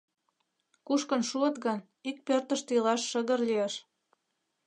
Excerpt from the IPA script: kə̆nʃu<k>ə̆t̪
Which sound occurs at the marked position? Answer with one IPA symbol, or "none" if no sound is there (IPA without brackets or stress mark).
none